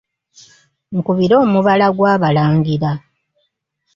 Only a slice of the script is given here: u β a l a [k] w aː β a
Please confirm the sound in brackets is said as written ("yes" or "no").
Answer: no